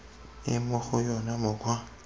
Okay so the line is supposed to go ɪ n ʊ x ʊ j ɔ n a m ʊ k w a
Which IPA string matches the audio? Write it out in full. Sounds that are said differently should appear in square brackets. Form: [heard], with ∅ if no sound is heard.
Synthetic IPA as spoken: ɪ [m] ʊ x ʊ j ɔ n a m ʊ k w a